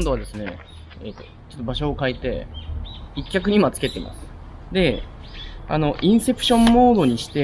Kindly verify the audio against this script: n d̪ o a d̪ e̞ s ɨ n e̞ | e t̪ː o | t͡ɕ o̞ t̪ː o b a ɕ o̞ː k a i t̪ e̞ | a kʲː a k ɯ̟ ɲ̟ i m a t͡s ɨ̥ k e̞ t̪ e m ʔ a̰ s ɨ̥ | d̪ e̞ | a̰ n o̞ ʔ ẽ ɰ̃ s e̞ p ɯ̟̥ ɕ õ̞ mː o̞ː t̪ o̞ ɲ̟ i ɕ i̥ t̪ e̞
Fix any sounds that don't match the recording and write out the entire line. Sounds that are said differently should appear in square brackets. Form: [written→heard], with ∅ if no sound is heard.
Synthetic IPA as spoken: n d̪ o a d̪ e̞ s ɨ n e̞ | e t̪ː o | t͡ɕ o̞ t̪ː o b a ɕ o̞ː k a i t̪ e̞ | [a→i] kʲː a k ɯ̟ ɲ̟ i m a t͡s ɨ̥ k e̞ t̪ e m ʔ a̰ s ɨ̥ | d̪ e̞ | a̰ n o̞ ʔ [ẽ→ĩ] ɰ̃ s e̞ p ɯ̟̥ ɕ õ̞ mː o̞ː [t̪→d̪] o̞ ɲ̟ i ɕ i̥ t̪ e̞